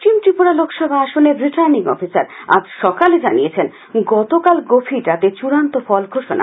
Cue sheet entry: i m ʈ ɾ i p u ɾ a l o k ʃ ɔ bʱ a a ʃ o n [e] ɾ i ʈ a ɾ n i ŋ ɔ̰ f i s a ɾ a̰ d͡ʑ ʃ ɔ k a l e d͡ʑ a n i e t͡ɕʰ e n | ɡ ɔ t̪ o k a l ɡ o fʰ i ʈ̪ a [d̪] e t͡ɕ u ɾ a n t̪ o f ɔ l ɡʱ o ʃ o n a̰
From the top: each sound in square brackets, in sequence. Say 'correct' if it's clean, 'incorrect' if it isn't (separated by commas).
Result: correct, incorrect